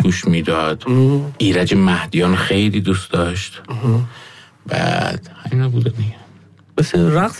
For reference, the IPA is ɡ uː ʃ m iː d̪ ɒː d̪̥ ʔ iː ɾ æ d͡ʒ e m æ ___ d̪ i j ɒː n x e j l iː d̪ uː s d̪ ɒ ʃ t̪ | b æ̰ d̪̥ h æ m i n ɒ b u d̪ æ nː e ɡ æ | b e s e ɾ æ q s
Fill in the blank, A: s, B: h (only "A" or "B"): B